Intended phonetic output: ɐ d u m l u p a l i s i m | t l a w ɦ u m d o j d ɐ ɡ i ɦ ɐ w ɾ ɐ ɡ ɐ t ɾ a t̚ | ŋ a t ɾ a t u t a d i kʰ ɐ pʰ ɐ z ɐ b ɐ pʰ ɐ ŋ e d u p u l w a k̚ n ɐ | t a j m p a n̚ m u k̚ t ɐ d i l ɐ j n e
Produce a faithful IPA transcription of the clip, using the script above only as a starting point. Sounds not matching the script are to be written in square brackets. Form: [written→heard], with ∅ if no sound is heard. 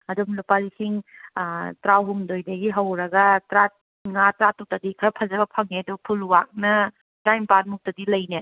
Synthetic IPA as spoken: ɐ d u m l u p a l i s i [m→ŋ] | t [l→ɾ] a w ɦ u m d o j d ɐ ɡ i ɦ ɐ w ɾ ɐ ɡ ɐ t ɾ a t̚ | ŋ a t ɾ a t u t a d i kʰ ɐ pʰ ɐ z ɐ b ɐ pʰ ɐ ŋ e d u [p→pʰ] u l w a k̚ n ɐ | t a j m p a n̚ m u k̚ t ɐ d i l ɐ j n e